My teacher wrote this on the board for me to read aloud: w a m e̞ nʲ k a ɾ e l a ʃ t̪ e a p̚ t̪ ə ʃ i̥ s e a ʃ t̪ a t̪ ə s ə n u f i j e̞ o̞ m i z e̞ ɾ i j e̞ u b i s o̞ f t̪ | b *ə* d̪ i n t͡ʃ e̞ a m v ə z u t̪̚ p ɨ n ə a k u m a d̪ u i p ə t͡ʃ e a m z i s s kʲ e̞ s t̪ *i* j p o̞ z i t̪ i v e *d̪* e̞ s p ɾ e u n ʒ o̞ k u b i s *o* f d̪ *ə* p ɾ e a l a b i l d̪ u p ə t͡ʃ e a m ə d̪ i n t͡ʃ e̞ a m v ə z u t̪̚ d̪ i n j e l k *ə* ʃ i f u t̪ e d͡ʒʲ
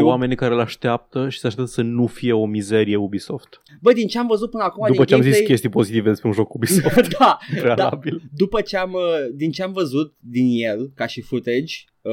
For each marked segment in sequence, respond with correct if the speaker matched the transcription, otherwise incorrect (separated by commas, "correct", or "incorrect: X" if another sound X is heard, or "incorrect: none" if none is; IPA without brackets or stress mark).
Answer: correct, correct, correct, correct, incorrect: a, incorrect: a